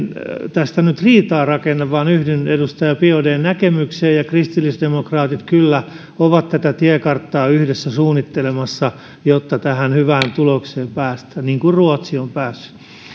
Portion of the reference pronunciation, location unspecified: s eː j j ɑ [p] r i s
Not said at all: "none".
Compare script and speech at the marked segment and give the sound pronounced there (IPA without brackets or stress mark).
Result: k